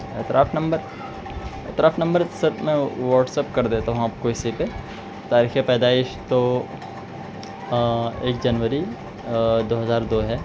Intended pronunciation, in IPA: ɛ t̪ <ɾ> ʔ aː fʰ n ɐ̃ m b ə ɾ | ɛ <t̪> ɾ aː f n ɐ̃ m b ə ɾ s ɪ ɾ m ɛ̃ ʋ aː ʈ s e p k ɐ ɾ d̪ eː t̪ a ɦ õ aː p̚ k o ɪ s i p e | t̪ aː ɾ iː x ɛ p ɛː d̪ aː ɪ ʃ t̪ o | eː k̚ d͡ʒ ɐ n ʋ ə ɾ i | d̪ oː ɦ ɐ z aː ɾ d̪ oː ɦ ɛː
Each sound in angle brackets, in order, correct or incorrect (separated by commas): correct, correct